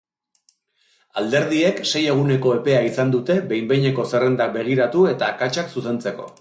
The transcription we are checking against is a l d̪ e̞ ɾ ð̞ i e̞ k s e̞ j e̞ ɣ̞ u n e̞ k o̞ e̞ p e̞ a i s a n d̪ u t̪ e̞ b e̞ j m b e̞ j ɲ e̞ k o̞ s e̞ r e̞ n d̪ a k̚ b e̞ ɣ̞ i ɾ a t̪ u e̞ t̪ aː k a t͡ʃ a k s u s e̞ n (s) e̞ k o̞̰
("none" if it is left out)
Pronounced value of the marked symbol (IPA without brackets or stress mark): t͡s